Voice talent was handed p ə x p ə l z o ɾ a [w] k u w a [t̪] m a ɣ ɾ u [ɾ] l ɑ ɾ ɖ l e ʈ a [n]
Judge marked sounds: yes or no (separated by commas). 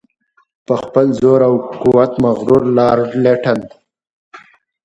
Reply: yes, yes, yes, yes